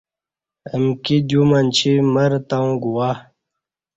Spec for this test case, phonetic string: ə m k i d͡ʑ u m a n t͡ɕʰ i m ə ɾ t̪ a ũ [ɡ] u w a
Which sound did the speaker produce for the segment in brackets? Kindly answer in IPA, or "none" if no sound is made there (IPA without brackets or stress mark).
ɡ